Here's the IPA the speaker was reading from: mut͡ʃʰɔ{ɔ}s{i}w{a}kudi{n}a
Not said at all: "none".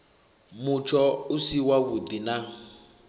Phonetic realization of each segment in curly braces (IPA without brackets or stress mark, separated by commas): u, i, a, n